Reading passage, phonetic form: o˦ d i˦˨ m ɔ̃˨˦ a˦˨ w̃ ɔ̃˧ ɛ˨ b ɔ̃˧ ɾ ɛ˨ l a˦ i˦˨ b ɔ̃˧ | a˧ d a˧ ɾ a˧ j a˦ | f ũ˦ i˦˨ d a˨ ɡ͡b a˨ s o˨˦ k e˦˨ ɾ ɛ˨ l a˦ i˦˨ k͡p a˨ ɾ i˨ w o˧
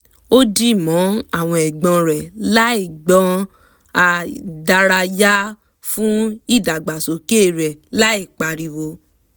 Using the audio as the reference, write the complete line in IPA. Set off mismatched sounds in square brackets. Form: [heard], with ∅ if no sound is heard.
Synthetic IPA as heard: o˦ d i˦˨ m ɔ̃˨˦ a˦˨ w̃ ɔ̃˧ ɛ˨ [ɡ͡b] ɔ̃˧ ɾ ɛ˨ l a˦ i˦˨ [ɡ͡b] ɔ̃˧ | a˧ d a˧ ɾ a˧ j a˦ | f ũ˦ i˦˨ d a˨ ɡ͡b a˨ s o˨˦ k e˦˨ ɾ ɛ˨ l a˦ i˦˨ k͡p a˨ ɾ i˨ w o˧